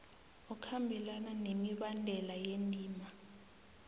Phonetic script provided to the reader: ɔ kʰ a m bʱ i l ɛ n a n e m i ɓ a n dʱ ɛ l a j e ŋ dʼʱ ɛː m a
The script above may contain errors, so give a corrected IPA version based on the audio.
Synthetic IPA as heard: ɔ kʰ a m bʱ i l a n a n e m i ɓ a n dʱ ɛ l a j e n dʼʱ iː m a

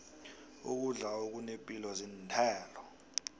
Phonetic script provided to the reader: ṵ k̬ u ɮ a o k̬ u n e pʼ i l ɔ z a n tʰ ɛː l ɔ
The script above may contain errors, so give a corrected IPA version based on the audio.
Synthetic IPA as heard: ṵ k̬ u ɮ a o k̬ u n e pʼ i l ɔ z i n tʰ ɛː l ɔ

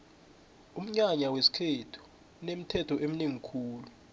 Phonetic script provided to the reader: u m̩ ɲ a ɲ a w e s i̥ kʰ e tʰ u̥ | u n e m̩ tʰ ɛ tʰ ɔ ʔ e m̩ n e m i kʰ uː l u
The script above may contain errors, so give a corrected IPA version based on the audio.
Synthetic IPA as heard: u m̩ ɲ a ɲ a w e s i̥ kʰ e tʰ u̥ | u n e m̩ tʰ ɛ tʰ ɔ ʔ e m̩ n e ŋ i kʰ uː l u

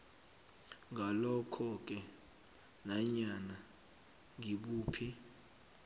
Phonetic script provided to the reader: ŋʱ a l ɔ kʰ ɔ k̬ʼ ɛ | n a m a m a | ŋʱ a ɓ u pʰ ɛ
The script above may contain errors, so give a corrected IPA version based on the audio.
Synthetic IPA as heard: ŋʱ a l ɔ kʰ ɔ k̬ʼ ɛ | n a ɲ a n a | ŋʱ i ɓ uː pʰ i

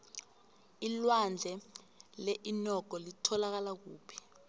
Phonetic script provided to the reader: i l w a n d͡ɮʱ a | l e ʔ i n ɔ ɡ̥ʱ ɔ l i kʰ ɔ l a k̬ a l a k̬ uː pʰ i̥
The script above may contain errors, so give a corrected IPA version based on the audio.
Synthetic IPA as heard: i l w a n d͡ɮʱ ɛ | l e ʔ i n ɔ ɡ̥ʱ ɔ l i tʰ ɔ l a k̬ a l a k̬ uː pʰ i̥

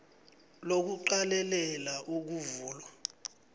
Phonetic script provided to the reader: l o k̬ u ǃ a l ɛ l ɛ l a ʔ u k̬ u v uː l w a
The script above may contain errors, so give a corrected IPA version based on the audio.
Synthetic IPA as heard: l o k̬ u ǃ a l ɛ l ɛ l a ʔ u k̬ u v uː l w a

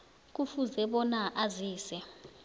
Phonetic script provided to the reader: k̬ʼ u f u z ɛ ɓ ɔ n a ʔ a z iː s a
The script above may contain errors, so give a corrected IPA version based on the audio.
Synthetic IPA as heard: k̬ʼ u f u z ɛ ɓ ɔ n a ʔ a z iː s ɛ

